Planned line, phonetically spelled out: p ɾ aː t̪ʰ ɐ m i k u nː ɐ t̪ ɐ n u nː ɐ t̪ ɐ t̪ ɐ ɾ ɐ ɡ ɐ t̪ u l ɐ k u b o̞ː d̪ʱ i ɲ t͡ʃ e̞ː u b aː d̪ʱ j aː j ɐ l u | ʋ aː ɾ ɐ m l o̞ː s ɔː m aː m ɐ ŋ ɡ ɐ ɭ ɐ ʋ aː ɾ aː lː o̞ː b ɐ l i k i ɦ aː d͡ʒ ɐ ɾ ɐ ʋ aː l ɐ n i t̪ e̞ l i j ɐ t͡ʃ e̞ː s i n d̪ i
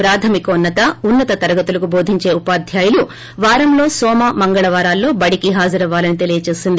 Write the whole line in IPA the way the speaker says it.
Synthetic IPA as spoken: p ɾ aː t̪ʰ ɐ m i k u nː ɐ t̪ ɐ u nː ɐ t̪ ɐ t̪ ɐ ɾ ɐ ɡ ɐ t̪ u l ɐ k u b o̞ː d̪ʱ i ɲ t͡ʃ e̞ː u p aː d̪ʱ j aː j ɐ l u | ʋ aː ɾ ɐ m l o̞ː s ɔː m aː m ɐ ŋ ɡ ɐ ɭ ɐ ʋ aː ɾ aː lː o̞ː b ɐ ɽ i k i ɦ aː d͡ʒ ɐ ɾ ɐ ʋ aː l ɐ n i t̪ e̞ l i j ɐ t͡ʃ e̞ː s i n d̪ i

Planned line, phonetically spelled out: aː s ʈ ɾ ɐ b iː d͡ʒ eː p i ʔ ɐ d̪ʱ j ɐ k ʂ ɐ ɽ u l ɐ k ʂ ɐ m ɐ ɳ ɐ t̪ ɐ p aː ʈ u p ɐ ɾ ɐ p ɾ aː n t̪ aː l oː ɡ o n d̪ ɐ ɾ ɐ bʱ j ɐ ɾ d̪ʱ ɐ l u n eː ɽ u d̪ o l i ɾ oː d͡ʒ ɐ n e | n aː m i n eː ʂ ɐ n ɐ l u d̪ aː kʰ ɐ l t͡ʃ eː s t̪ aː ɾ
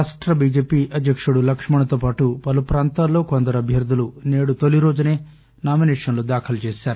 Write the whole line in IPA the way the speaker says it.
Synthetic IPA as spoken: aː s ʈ ɾ ɐ b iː d͡ʒ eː p i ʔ ɐ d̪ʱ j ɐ k ʂ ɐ ɽ u l ɐ k ʂ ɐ m ɐ ɳ ɐ t̪ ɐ p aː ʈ u p ɐ l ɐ p ɾ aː n t̪ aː l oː k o n d̪ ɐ ɾ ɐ bʱ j ɐ ɾ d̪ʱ ɐ l u n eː ɽ u t̪ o l i ɾ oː d͡ʒ ɐ n e | n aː m i n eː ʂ ɐ n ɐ l u d̪ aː kʰ ɐ l t͡ʃ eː s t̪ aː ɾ

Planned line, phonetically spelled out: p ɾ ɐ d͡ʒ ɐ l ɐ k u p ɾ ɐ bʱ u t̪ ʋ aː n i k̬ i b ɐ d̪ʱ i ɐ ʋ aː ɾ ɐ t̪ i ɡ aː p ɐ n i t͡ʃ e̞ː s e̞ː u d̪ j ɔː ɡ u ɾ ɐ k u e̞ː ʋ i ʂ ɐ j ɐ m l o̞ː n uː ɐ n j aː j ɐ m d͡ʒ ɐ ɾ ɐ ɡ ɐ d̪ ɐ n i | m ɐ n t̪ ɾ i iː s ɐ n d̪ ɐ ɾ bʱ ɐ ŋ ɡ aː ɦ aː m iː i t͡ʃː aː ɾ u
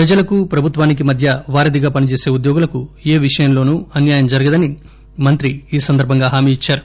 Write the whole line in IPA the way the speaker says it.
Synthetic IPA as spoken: p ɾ ɐ d͡ʒ ɐ l ɐ k u p ɾ ɐ bʱ u t̪ ʋ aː n i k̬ i m ɐ d̪ʱ j ɐ ʋ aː ɾ ɐ d̪ i ɡ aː p ɐ n i t͡ʃ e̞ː s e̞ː u d̪ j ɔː ɡ u l ɐ k u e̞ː ʋ i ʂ ɐ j ɐ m l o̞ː n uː ɐ n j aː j ɐ m d͡ʒ ɐ ɾ ɐ ɡ ɐ d̪ ɐ n i | m ɐ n t̪ ɾ i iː s ɐ n d̪ ɐ ɾ bʱ ɐ ŋ ɡ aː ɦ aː m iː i t͡ʃː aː ɾ u

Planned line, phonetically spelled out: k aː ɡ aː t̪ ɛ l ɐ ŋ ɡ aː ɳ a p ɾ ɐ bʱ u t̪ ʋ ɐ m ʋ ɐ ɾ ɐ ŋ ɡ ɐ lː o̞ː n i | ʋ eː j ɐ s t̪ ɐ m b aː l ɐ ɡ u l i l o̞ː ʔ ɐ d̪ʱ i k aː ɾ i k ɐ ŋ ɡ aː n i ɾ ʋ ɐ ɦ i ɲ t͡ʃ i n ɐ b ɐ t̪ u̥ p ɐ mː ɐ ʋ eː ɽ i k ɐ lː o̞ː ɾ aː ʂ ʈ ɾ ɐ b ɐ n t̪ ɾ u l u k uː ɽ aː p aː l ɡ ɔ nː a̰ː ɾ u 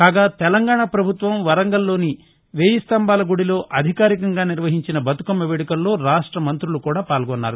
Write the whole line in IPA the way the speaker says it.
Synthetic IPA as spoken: k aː ɡ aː t̪ ɛ l ɐ ŋ ɡ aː ɳ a p ɾ ɐ bʱ u t̪ ʋ ɐ m ʋ ɐ ɾ ɐ ŋ ɡ ɐ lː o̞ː n i | ʋ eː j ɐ s t̪ ɐ m b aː l ɐ ɡ u ɽ i l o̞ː ʔ ɐ d̪ʱ i k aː ɾ i k ɐ ŋ ɡ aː n i ɾ ʋ ɐ ɦ i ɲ t͡ʃ i n ɐ b ɐ t̪ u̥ k ɐ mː ɐ ʋ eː ɽ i k ɐ lː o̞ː ɾ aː ʂ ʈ ɾ ɐ m ɐ n t̪ ɾ u l u k uː ɽ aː p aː l ɡ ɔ nː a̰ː ɾ u

